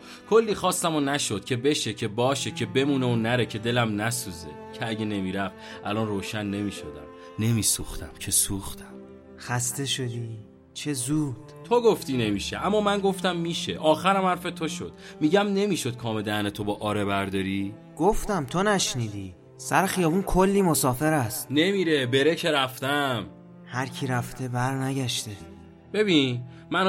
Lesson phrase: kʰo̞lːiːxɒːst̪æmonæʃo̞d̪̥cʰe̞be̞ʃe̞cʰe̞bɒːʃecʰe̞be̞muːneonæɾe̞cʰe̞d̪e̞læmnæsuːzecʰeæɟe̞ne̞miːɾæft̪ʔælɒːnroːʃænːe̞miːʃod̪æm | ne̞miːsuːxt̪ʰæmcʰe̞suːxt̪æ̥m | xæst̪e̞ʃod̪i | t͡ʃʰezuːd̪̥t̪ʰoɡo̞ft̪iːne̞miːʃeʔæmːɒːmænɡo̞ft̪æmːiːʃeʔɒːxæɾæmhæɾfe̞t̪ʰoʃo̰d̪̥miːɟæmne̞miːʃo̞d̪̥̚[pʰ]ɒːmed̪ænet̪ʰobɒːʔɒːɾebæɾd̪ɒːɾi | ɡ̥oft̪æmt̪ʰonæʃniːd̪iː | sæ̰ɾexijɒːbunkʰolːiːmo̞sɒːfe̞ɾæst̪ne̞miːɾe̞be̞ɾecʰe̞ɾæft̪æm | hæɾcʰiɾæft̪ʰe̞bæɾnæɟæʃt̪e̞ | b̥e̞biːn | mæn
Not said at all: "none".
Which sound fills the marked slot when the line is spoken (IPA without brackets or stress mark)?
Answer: kʰ